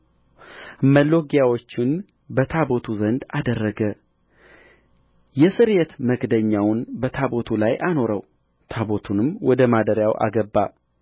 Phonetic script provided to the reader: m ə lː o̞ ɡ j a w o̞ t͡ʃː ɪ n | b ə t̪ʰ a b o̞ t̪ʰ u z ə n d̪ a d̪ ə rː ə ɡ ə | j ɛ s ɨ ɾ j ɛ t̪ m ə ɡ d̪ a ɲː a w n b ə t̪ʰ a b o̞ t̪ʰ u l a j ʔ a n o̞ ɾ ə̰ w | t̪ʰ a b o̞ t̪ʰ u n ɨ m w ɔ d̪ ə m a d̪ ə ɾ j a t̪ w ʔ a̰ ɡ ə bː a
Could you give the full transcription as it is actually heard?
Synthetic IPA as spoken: m ə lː o̞ ɡ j a w o̞ t͡ʃː ɪ n | b ə t̪ʰ a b o̞ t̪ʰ u z ə n d̪ a d̪ ə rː ə ɡ ə | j ɛ s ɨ ɾ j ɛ t̪ m ə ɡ d̪ ə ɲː a w n b ə t̪ʰ a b o̞ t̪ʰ u l a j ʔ a n o̞ ɾ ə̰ w | t̪ʰ a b o̞ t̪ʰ u n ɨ m w ɔ d̪ ə m a d̪ ə ɾ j a w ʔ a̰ ɡ ə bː a

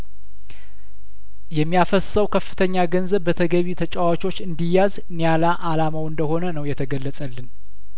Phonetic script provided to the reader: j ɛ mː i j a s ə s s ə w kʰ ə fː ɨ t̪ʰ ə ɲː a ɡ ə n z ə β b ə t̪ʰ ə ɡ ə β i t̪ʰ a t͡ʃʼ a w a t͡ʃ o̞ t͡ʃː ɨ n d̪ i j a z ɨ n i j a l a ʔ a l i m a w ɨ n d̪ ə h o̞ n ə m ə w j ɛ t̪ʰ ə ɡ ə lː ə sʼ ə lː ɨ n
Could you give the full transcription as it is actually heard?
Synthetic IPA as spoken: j ɛ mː i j a f ə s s ə w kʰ ə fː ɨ t̪ʰ ə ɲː a ɡ ə n z ə β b ə t̪ʰ ə ɡ ə β i t̪ʰ ə t͡ʃʼ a w a t͡ʃ o̞ t͡ʃː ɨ n d̪ i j a z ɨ n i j a l a ʔ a l a m a w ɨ n d̪ ə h o̞ n ə n ə w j ɛ t̪ʰ ə ɡ ə lː ə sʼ ə lː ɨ n

